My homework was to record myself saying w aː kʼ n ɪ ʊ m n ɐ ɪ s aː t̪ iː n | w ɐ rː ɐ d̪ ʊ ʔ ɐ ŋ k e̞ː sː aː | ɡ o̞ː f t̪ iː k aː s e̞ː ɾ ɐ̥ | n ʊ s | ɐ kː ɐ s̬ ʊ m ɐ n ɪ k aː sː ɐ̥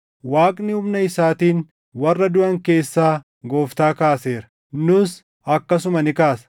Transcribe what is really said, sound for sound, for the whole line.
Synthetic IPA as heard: w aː kʼ n ɪ ʊ m n ɐ ɪ s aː t̪ iː n | w ɐ rː ɐ d̪ ʊ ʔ ɐ ŋ k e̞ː sː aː | ɡ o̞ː f t̪ aː k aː s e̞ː ɾ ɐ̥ | n ʊ s | ɐ kː ɐ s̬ ʊ m ɐ n ɪ k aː s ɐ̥